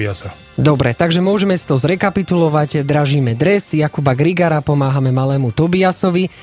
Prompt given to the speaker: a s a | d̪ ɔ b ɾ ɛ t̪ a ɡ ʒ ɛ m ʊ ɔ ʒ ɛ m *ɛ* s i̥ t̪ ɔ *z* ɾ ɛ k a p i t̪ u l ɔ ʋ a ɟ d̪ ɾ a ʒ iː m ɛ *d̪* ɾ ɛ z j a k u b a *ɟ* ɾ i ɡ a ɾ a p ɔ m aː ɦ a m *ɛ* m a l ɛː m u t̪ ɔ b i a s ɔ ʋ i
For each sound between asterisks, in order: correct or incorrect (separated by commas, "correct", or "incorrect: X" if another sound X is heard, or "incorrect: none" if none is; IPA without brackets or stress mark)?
correct, correct, correct, incorrect: ɡ, correct